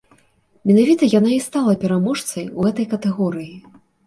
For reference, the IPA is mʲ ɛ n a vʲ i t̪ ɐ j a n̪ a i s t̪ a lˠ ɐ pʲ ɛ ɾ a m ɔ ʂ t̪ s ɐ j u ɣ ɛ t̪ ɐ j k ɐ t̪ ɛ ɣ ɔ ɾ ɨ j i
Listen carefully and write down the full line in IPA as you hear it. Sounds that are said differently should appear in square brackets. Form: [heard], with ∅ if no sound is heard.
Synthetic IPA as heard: mʲ ɛ n a vʲ i t̪ ɐ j a n̪ a i s t̪ a lˠ ɐ pʲ ɛ ɾ a m ɔ ʂ t̪ s ɐ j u ɣ ɛ t̪ ɐ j k ɐ t̪ ɛ ɣ ɔ ɾ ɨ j i